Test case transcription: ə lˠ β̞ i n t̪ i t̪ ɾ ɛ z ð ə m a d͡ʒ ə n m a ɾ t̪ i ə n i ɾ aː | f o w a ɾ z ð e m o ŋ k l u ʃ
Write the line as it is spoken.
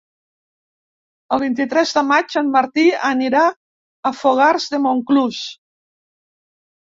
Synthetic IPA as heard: ə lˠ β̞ i n t̪ i t̪ ɾ ɛ z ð ə m a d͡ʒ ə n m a ɾ t̪ i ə n i ɾ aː | f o ɣ a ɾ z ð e m o ŋ k l u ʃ